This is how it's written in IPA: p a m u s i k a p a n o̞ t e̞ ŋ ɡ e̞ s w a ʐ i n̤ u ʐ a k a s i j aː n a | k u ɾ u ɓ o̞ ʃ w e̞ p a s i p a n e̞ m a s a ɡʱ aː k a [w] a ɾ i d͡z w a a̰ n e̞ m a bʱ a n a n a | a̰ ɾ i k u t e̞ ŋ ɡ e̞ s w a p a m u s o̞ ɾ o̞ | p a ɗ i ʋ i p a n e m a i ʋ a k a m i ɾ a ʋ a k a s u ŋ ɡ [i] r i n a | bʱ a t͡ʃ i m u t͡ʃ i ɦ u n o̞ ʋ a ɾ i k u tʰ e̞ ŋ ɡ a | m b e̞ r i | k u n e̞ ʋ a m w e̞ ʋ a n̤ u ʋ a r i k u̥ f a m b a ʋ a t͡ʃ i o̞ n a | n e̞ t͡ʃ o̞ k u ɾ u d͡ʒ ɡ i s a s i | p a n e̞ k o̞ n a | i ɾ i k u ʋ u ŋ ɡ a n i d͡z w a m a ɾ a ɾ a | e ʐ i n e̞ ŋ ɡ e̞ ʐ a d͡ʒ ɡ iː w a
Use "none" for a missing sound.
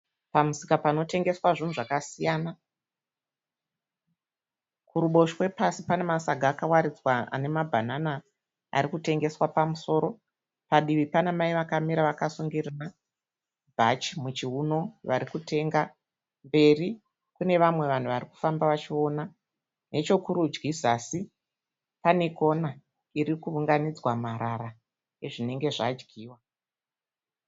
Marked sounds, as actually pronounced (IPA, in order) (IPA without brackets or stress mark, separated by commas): w, i